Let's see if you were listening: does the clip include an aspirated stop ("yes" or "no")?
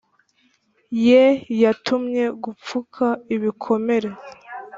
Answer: yes